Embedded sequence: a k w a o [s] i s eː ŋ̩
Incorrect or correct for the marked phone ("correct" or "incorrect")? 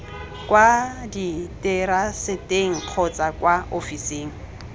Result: incorrect